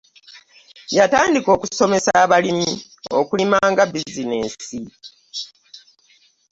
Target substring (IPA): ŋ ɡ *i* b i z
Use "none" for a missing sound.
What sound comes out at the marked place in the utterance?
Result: a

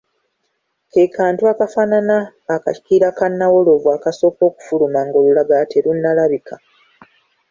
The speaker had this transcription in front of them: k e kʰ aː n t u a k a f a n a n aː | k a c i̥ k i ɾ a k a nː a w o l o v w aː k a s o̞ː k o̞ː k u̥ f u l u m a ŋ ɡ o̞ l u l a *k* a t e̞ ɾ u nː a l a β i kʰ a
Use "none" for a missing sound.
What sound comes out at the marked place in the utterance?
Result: ɡ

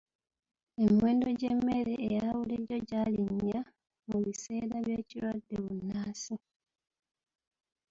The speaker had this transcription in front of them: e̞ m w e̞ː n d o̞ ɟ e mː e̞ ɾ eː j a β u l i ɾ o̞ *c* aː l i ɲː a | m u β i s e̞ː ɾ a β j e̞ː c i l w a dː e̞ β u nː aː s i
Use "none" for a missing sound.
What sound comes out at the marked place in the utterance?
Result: ɟ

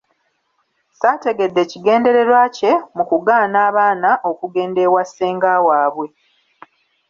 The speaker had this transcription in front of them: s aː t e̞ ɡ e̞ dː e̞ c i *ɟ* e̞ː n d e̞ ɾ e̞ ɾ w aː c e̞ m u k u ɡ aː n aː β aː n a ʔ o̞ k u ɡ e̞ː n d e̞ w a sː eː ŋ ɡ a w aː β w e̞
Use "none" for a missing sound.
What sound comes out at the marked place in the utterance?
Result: ɡ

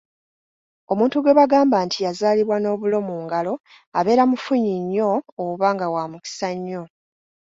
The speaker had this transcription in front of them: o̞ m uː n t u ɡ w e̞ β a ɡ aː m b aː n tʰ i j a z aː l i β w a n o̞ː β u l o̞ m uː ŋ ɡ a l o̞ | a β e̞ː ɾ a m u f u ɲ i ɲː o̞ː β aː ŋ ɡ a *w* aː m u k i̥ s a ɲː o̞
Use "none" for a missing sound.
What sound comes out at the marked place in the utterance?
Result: w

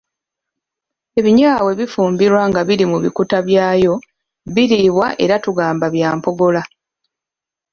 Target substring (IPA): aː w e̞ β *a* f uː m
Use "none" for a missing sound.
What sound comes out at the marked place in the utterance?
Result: i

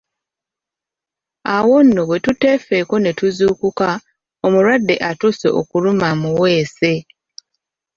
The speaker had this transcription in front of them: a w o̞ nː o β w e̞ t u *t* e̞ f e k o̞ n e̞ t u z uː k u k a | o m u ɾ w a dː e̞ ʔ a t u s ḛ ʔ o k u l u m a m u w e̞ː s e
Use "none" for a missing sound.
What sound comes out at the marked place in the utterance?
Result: t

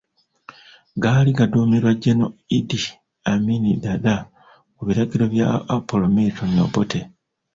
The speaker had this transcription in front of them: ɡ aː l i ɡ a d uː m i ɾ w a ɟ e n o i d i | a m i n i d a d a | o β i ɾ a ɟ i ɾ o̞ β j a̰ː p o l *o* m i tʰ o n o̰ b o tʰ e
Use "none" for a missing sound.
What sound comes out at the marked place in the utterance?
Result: o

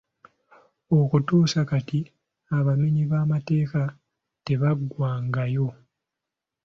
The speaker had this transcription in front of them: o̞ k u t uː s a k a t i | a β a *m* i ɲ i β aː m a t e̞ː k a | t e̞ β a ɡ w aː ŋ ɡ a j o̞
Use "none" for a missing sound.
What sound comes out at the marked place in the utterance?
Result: m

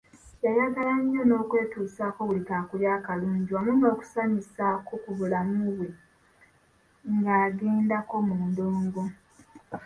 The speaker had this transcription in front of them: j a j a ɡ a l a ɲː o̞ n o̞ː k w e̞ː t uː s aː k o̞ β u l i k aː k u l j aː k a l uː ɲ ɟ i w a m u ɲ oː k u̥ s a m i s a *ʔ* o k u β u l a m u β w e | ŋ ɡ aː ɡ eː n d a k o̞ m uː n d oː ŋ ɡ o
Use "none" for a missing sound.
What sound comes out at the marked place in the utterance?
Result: k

